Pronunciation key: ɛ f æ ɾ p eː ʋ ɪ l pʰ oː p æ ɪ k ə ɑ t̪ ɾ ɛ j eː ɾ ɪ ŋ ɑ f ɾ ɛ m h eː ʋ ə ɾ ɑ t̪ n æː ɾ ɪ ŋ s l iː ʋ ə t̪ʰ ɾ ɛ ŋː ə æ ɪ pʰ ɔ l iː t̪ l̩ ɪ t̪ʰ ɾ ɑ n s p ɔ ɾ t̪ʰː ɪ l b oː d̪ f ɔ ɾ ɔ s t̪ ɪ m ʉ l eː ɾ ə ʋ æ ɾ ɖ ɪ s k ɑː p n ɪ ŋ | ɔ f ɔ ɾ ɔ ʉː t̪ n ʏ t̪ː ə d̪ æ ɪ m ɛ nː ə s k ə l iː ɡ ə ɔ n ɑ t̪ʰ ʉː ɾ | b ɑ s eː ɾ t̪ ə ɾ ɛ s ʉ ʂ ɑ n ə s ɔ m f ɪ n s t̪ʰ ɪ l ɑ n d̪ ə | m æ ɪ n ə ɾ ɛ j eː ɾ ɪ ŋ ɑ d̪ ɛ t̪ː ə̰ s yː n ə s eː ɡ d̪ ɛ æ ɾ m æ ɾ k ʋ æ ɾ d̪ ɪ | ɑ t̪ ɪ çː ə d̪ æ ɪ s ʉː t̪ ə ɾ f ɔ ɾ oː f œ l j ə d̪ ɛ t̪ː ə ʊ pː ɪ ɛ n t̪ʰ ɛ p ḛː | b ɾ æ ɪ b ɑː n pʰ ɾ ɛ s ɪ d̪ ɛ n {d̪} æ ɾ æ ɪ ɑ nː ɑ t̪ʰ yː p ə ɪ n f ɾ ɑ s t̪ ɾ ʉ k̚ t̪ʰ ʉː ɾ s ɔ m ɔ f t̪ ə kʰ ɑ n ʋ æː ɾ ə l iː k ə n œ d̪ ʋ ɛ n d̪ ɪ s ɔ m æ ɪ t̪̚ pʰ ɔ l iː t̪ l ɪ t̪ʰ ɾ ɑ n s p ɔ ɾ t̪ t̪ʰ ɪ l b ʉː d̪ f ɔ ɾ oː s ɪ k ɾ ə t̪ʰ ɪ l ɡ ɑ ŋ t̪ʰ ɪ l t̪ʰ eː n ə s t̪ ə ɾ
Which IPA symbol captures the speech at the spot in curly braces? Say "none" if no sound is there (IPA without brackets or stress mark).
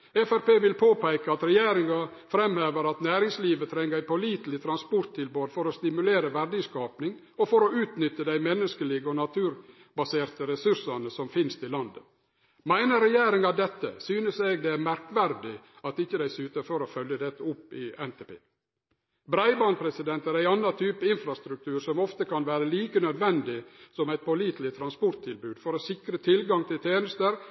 t̪